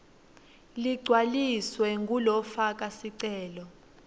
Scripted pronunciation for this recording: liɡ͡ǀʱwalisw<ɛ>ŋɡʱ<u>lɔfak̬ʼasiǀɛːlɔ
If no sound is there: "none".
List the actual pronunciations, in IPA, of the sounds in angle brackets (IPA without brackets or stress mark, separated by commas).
ɛ, u